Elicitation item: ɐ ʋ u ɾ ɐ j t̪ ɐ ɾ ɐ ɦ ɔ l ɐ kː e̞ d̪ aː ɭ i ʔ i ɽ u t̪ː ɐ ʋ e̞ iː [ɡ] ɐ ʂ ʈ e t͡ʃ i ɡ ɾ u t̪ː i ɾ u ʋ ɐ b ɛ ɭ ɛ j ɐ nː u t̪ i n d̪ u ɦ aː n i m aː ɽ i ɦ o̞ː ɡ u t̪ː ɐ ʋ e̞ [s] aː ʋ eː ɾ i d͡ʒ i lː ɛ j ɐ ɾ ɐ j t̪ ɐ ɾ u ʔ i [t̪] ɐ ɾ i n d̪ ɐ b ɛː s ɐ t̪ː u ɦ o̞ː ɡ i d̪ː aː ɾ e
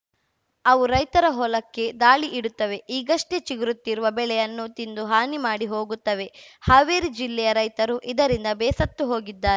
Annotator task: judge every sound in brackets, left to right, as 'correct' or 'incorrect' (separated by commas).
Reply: correct, incorrect, incorrect